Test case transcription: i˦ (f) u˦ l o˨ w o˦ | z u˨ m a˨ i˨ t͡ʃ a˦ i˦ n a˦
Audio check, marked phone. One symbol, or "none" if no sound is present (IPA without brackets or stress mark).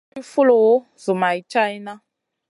f